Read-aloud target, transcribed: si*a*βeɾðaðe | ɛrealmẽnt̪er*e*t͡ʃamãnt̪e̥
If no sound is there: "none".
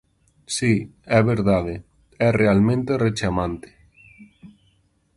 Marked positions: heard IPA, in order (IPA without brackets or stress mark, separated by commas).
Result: ɛ, e